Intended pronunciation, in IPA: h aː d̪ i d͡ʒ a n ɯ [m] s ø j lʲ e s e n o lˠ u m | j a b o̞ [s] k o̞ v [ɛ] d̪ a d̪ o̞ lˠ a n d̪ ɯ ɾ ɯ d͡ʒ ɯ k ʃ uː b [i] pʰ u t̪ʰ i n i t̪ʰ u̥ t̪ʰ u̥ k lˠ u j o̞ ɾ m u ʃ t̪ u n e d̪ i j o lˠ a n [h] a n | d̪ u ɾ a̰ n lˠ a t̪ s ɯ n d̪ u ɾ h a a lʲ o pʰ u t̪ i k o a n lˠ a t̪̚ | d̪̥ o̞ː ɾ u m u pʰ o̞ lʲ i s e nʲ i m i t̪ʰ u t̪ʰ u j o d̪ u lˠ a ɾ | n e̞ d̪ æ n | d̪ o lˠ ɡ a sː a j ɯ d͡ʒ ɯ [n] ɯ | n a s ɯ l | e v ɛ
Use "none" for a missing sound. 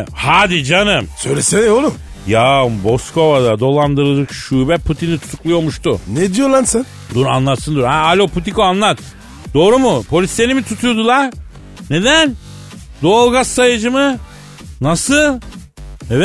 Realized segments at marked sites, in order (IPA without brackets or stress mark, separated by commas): m, s, a, ɛ, s, m